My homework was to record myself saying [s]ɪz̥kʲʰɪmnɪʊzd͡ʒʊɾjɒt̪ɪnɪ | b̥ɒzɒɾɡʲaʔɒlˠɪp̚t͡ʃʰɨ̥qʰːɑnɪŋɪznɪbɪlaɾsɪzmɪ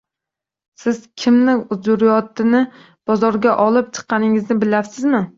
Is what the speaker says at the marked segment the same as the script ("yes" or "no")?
yes